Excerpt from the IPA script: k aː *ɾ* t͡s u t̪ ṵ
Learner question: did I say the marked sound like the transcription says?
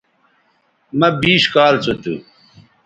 no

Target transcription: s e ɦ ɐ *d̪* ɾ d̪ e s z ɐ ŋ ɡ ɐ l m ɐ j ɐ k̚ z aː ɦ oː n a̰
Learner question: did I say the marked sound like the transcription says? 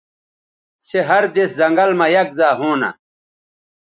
no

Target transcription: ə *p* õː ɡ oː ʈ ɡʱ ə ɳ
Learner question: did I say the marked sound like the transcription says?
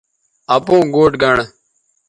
yes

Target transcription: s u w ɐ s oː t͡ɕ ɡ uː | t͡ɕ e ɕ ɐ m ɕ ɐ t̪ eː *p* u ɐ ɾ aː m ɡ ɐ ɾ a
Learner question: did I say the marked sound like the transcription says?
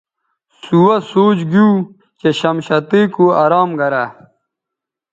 no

